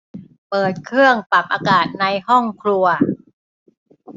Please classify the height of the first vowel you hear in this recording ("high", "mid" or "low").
mid